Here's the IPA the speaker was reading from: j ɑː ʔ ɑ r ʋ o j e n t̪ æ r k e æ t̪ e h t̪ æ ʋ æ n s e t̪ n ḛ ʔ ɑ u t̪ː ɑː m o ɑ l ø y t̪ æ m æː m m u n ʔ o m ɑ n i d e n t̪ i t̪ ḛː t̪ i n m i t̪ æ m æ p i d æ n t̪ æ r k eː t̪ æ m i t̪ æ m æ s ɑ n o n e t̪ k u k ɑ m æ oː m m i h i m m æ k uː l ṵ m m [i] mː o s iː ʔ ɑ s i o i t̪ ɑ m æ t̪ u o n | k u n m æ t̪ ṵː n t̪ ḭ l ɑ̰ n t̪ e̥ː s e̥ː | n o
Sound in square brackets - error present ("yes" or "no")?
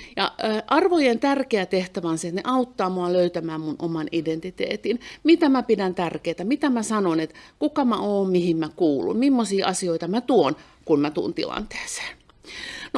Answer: no